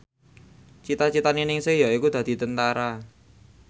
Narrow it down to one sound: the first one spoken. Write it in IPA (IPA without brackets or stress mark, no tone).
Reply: t͡ʃ